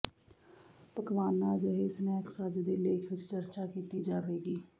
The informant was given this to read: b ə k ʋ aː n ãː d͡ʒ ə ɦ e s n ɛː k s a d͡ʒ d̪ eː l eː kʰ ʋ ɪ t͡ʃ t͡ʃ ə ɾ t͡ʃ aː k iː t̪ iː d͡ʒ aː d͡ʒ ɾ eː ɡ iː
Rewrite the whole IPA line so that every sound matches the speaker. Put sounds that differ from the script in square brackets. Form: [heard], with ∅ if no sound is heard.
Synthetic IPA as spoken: [p] ə k ʋ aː n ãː d͡ʒ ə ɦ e s n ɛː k s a d͡ʒ d̪ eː l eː kʰ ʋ ɪ t͡ʃ t͡ʃ ə ɾ t͡ʃ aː k iː t̪ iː d͡ʒ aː [∅] ɾ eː ɡ iː